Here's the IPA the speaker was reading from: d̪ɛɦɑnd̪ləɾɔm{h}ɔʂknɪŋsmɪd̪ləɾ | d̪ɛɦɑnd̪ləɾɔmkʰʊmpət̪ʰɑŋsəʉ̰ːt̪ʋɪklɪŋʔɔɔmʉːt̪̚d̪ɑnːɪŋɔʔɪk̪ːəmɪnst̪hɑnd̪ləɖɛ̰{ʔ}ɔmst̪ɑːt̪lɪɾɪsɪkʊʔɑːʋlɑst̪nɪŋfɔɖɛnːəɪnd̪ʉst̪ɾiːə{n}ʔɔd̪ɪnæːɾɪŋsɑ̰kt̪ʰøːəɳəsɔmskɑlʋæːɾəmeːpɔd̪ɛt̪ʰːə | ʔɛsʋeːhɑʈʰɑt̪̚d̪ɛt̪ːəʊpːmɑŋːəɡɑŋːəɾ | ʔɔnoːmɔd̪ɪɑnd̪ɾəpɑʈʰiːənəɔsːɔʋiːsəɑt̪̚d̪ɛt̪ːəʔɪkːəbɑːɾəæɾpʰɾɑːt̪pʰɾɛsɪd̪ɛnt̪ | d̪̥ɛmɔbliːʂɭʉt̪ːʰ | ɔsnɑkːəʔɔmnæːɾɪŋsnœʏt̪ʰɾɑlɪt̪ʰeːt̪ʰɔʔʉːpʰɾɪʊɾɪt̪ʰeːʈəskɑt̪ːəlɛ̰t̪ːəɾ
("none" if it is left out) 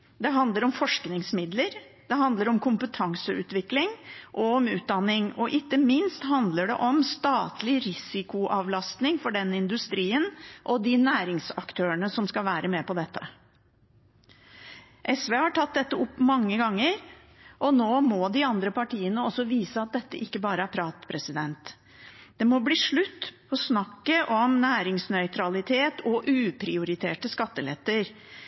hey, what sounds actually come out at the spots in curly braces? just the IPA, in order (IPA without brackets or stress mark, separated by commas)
f, ʔ, n